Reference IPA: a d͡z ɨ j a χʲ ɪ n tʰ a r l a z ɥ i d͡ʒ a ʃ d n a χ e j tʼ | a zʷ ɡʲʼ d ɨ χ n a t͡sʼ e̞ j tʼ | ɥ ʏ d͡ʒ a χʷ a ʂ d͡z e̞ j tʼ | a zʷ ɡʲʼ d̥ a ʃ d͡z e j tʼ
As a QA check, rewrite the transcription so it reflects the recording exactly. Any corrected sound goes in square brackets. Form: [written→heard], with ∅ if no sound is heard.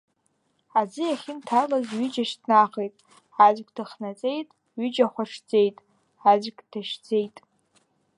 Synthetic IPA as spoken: a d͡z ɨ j a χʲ ɪ n tʰ a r l a z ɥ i d͡ʒ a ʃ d n a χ e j tʼ | a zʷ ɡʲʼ d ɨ χ n a t͡sʼ e̞ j tʼ | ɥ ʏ d͡ʒ a χʷ a ʂ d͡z e̞ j tʼ | a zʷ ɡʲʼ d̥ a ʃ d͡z e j tʼ